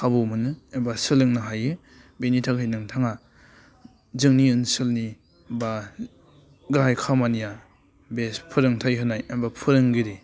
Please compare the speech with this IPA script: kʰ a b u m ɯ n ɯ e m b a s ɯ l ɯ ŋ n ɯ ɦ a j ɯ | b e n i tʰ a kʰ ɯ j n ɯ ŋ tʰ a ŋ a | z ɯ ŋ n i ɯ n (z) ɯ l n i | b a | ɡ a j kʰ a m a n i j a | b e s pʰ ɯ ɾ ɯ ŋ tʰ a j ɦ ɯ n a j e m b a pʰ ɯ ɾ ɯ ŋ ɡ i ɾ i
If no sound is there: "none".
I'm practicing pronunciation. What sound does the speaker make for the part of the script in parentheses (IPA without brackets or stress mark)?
s